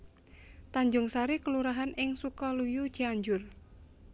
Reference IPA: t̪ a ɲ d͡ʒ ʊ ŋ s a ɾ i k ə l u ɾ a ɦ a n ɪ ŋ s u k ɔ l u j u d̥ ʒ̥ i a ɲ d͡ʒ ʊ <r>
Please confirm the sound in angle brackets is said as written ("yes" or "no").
yes